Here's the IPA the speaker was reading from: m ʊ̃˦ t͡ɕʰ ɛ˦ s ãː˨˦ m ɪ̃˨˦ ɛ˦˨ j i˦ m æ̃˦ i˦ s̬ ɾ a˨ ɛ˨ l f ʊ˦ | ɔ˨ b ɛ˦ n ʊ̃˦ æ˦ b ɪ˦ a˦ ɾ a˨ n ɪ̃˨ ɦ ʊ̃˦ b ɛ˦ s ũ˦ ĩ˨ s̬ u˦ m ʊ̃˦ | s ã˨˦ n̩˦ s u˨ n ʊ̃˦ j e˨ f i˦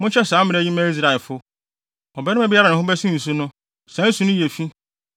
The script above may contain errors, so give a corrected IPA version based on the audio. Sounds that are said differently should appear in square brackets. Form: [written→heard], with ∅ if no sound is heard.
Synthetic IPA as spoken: m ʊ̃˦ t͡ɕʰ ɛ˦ s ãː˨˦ m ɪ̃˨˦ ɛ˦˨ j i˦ m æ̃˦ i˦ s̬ ɾ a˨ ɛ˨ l f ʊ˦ | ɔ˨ b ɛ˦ n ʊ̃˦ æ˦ b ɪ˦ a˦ ɾ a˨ n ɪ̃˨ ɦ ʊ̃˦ b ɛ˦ s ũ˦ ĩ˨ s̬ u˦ [m→n] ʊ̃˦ | s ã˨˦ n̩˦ s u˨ n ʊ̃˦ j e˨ f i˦